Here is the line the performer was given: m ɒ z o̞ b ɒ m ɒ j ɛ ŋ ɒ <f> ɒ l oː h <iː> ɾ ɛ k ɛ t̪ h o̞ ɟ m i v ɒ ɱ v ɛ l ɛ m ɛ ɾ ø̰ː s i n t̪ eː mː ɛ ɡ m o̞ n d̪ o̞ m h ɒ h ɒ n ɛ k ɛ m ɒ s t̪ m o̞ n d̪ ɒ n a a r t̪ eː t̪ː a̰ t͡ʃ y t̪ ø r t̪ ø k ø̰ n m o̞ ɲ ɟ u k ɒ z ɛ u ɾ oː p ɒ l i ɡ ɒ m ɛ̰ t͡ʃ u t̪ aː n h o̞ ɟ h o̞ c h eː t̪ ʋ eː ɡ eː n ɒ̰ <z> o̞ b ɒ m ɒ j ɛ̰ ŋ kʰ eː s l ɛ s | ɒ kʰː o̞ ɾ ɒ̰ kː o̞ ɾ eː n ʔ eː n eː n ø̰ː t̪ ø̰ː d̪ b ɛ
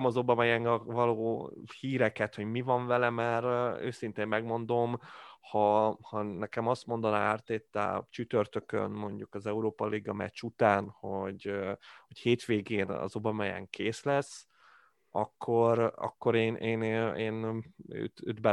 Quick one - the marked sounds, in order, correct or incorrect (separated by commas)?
incorrect, correct, correct